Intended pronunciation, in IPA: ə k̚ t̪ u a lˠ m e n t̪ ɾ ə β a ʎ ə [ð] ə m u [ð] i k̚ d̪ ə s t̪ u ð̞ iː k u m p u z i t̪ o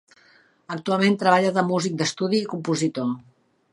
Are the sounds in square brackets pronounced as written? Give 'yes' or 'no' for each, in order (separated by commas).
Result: yes, no